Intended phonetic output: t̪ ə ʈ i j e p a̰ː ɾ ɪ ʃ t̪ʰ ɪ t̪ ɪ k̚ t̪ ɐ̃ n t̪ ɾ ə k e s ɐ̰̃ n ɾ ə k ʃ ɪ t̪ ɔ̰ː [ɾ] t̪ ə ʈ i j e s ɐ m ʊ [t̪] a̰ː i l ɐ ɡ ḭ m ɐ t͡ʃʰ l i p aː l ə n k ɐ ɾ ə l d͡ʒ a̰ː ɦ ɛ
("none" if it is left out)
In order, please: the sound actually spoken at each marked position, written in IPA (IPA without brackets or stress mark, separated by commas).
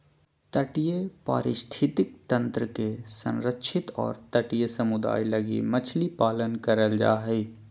ɾ, d̪